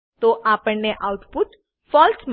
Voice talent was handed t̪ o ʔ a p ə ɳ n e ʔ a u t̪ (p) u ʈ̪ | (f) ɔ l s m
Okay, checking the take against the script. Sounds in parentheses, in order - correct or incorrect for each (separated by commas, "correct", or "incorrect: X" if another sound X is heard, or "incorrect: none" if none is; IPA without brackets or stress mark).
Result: correct, correct